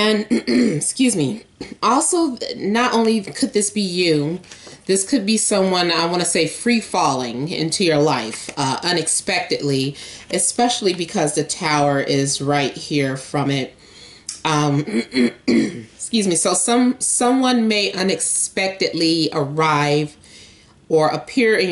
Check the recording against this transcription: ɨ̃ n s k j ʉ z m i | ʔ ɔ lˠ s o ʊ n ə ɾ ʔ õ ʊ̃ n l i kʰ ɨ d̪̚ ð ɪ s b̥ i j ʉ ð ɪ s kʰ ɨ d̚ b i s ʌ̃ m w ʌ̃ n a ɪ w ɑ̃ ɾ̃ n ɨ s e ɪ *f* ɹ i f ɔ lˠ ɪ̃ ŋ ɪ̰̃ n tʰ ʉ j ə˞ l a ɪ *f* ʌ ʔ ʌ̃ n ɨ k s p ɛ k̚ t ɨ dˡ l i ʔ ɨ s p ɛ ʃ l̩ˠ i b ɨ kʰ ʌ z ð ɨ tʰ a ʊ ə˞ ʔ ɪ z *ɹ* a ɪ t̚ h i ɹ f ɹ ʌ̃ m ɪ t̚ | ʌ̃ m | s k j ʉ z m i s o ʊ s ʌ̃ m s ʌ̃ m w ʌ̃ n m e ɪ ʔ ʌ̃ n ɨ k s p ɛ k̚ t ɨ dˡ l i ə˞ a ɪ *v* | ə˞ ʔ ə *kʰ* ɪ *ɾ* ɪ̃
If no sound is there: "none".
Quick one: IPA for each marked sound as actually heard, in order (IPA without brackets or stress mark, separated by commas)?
f, f, ɹ, v, pʰ, ɹ